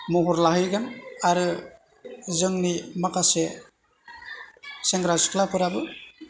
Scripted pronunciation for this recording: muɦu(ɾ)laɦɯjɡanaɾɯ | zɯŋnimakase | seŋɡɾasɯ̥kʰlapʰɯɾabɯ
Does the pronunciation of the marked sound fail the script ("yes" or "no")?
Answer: no